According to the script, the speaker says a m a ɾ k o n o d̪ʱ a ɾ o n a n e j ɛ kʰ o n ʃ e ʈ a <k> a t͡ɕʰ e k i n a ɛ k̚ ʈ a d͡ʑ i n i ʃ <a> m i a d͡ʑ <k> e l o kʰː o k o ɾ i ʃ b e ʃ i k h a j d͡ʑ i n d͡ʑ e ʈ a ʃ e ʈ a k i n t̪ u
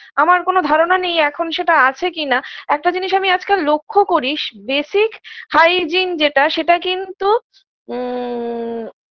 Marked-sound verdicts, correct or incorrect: incorrect: none, correct, correct

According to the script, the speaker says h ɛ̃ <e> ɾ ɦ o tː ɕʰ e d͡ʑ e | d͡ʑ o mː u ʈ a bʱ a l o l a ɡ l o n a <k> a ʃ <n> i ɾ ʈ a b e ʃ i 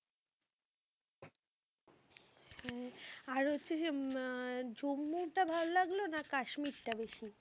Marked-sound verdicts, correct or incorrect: incorrect: a, correct, incorrect: m

